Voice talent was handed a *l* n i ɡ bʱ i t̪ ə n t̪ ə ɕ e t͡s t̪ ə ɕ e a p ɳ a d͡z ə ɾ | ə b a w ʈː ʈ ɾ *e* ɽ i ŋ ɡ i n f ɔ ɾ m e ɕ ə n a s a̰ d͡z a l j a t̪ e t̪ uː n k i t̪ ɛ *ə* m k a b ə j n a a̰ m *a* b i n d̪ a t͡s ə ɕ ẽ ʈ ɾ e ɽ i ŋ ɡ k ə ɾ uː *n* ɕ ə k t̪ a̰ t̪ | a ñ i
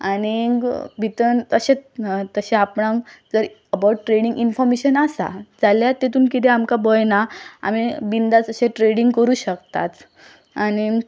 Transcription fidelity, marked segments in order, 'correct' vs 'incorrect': incorrect: none, correct, incorrect: a, incorrect: i, incorrect: none

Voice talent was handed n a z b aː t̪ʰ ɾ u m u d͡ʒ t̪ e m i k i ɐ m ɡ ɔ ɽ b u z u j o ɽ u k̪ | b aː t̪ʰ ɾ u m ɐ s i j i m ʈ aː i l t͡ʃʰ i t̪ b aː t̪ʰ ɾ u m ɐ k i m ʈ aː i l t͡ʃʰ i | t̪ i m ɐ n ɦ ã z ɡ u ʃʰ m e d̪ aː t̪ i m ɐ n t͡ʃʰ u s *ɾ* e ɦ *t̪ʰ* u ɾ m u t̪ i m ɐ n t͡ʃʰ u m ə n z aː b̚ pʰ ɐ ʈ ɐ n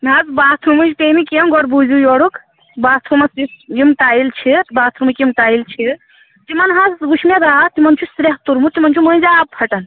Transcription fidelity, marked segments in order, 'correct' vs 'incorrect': correct, incorrect: t̪

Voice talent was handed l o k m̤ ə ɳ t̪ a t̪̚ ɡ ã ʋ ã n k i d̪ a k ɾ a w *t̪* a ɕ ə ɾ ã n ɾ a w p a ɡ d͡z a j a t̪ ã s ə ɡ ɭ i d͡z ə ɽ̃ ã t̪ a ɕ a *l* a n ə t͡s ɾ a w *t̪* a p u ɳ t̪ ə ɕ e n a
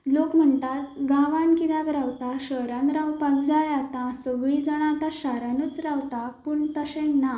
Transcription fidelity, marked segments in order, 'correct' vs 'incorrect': correct, incorrect: ɾ, correct

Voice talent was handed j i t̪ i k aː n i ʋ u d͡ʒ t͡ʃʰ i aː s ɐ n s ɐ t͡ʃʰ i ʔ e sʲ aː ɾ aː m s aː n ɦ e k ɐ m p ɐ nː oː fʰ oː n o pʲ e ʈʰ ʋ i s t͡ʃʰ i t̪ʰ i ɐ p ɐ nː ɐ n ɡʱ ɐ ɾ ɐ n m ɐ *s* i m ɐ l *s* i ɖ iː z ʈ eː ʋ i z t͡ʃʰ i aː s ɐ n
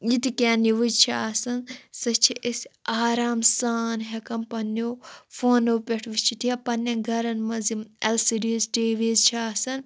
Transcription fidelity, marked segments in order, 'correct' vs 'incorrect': incorrect: z, correct

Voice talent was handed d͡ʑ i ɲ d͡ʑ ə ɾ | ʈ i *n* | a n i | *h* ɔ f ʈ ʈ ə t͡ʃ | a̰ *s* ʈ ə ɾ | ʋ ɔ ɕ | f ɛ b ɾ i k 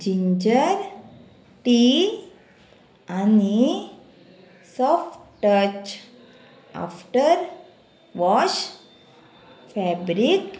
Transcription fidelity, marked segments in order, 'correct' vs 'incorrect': incorrect: none, incorrect: s, incorrect: f

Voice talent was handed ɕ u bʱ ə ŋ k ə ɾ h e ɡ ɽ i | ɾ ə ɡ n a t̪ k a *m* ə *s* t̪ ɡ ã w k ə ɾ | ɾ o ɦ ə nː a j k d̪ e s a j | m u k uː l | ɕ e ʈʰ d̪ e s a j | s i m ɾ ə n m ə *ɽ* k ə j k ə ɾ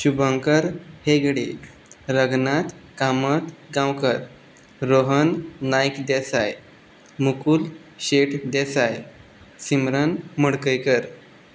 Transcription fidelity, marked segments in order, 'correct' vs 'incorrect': correct, incorrect: none, correct

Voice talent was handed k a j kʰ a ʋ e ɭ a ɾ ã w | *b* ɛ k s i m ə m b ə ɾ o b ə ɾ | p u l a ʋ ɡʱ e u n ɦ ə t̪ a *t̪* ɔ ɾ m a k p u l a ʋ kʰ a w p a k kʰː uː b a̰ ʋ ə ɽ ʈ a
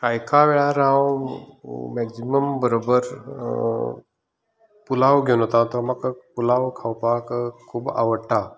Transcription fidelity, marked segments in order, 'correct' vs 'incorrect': incorrect: m, correct

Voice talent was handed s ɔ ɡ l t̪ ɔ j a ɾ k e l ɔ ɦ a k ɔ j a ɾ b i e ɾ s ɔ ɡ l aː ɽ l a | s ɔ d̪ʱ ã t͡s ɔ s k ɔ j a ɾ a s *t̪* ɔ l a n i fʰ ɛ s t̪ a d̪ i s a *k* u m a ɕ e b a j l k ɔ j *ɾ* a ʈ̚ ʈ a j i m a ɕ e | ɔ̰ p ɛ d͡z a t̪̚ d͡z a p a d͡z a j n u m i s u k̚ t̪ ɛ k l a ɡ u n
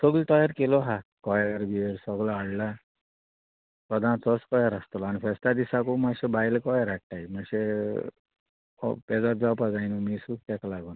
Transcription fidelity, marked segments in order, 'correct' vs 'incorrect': correct, correct, correct

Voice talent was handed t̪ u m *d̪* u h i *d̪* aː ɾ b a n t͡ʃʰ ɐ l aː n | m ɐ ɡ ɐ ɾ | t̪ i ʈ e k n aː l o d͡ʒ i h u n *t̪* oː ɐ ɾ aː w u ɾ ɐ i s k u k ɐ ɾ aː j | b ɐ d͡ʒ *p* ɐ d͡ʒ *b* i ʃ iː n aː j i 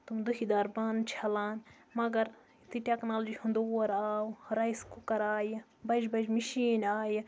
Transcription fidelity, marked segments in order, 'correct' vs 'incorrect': correct, correct, incorrect: d̪, incorrect: b, incorrect: m

